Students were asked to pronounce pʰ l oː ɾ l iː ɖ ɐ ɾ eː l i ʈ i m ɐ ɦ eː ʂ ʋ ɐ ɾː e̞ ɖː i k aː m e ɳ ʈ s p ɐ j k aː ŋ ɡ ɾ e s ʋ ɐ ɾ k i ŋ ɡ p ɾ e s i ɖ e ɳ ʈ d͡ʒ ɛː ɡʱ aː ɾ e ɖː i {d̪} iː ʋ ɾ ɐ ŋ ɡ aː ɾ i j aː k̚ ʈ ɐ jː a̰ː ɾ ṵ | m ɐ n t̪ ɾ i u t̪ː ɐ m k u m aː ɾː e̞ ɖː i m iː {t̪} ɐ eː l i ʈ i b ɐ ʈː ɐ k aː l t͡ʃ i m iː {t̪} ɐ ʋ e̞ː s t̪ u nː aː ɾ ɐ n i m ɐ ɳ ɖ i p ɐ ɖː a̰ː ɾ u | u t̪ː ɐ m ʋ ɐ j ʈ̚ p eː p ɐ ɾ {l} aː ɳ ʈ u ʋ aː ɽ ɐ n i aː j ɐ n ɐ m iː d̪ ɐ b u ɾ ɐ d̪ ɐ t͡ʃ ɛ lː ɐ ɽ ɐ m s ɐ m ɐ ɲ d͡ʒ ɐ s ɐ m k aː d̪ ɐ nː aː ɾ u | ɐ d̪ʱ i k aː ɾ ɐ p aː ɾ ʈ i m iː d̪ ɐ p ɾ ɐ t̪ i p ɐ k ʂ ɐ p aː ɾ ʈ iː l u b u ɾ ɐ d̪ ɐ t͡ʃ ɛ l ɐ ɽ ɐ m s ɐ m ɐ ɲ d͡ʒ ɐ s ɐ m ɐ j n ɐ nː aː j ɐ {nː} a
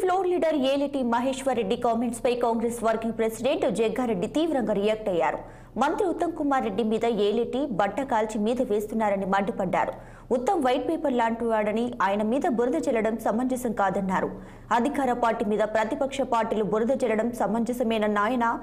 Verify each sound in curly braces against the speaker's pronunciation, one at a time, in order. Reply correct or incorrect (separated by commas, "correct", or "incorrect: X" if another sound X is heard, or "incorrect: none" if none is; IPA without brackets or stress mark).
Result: incorrect: t̪, incorrect: d̪, incorrect: d̪, correct, incorrect: n